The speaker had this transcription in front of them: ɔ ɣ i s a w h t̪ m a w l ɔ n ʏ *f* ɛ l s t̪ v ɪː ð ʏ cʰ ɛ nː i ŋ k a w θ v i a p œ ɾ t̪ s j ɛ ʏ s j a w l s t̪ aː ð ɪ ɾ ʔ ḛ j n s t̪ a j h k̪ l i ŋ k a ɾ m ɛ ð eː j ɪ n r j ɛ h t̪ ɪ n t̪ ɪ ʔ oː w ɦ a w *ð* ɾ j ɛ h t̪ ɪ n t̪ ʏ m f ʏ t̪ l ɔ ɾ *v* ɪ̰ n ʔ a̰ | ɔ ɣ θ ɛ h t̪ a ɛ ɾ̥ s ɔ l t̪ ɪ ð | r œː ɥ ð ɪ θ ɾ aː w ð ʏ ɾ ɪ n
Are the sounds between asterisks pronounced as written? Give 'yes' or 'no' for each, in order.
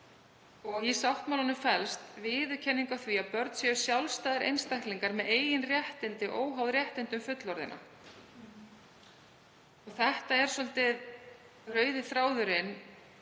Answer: yes, yes, no

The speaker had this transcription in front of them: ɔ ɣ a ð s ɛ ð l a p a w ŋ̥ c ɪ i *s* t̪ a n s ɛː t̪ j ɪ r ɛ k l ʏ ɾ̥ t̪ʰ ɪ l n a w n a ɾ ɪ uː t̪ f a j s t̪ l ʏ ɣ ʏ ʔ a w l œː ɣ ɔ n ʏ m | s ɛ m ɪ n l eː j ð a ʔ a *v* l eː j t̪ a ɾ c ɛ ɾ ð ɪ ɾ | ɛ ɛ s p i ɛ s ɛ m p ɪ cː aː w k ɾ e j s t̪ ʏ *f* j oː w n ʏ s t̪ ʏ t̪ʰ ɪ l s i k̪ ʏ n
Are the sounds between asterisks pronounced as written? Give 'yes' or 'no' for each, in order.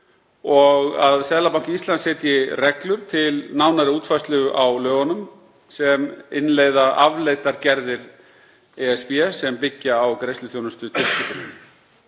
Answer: yes, yes, no

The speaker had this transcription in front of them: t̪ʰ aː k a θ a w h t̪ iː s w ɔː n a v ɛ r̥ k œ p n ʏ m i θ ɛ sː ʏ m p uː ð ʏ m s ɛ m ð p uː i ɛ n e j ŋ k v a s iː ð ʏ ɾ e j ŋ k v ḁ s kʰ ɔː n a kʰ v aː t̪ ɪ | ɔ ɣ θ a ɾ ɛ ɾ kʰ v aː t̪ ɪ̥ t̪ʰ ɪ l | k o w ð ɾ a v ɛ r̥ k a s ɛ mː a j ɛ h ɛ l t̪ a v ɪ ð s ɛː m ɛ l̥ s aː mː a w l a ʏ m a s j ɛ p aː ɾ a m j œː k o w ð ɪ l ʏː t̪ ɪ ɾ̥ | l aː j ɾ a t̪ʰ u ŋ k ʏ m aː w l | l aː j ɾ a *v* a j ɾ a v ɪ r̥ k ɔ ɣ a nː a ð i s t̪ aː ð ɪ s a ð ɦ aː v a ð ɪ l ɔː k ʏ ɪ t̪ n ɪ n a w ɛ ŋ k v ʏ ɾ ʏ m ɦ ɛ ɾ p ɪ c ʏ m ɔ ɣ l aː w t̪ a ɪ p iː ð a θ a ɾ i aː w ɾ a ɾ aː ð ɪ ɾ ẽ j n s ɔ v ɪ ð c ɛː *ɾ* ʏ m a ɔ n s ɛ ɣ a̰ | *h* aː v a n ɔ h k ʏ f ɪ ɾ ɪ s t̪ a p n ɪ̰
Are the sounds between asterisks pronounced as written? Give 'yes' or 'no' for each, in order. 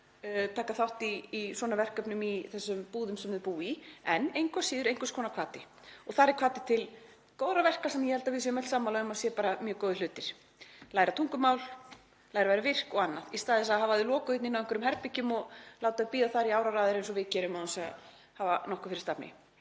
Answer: yes, yes, yes

